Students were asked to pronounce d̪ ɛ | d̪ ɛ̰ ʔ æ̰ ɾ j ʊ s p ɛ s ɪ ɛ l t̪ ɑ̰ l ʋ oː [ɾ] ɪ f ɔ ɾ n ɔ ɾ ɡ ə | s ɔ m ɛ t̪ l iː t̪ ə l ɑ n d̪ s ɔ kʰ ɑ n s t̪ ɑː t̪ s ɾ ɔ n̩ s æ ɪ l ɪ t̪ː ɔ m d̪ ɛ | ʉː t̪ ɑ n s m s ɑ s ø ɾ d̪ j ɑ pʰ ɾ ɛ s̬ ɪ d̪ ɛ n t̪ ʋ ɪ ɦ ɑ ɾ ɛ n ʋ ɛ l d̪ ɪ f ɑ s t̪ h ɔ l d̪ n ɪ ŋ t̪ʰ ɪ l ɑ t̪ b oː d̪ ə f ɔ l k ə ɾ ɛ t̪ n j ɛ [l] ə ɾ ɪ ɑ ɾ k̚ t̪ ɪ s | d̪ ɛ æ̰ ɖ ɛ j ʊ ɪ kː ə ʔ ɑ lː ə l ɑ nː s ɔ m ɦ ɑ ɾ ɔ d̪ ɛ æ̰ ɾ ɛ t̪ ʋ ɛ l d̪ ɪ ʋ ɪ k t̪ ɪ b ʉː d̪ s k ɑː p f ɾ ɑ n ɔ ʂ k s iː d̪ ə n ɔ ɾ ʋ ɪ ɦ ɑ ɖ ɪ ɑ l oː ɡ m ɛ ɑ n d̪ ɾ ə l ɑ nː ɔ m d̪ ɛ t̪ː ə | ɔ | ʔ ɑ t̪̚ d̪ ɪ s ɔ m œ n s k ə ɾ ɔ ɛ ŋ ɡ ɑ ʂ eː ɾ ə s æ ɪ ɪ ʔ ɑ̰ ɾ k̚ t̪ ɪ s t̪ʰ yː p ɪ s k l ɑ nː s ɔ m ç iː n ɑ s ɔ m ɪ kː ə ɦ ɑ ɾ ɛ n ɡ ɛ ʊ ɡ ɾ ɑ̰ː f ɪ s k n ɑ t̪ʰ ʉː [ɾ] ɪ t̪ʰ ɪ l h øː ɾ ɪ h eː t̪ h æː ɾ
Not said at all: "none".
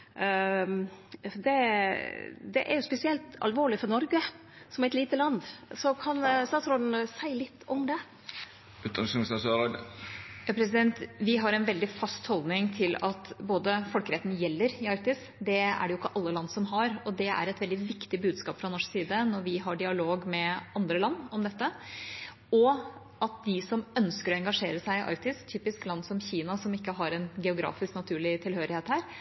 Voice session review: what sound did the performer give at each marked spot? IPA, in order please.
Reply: ɭ, lː, ɭ

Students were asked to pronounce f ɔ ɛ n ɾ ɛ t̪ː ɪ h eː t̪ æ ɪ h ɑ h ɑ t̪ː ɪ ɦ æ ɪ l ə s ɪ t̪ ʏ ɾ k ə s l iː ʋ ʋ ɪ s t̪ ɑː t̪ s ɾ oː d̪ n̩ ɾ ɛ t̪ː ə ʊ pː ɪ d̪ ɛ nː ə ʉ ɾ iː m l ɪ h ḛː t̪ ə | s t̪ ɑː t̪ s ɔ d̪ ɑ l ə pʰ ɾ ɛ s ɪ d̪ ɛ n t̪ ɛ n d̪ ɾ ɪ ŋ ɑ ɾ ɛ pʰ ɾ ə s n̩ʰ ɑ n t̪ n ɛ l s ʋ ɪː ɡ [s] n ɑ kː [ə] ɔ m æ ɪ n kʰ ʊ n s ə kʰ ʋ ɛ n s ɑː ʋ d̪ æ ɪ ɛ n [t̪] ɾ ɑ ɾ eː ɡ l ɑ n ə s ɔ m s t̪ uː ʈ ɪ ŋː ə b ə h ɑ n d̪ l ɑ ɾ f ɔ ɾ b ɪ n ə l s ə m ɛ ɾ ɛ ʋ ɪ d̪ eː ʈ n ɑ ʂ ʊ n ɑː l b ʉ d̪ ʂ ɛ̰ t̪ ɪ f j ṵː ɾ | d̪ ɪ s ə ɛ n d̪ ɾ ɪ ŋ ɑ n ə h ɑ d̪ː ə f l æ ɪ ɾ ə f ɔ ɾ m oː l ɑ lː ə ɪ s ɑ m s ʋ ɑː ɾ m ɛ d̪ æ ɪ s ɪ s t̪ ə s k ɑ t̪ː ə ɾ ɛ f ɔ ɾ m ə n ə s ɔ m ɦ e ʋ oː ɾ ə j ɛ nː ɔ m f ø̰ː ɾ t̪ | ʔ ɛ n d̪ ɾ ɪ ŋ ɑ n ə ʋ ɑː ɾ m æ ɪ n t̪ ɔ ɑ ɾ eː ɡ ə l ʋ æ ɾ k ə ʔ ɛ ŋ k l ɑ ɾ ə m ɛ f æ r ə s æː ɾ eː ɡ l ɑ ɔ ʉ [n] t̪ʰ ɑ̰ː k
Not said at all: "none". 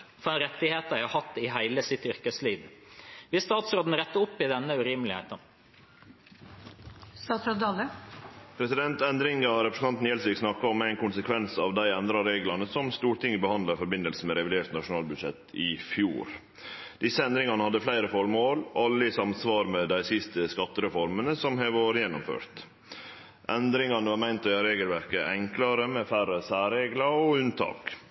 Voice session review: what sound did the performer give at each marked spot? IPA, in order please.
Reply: s, ɑ, d̪, n

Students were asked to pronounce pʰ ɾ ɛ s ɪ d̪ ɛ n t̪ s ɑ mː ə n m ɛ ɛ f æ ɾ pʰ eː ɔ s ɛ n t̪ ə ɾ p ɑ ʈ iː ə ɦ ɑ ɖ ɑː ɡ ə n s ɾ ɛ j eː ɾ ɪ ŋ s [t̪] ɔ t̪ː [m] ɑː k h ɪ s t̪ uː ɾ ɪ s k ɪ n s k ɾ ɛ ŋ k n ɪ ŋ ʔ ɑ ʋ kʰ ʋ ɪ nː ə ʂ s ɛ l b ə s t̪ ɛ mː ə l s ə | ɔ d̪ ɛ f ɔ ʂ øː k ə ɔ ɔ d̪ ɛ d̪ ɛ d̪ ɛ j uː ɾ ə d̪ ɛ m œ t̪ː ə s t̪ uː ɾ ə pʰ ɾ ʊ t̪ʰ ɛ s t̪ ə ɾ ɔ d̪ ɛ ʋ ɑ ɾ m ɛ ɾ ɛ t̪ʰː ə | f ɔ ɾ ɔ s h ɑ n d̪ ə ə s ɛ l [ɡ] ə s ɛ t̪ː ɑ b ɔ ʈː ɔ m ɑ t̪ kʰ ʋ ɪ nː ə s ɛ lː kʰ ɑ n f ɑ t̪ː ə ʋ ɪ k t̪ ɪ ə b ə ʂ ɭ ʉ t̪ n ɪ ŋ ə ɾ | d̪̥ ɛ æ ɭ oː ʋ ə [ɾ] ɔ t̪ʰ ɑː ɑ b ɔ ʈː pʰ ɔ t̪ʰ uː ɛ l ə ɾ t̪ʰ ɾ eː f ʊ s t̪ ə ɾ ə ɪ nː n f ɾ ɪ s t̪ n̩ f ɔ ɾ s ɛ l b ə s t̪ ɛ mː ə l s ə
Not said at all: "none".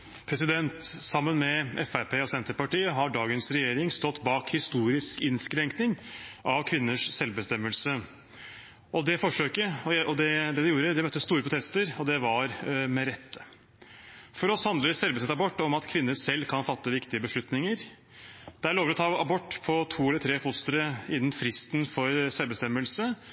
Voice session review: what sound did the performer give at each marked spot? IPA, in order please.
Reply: t̪, b, b, ɾ

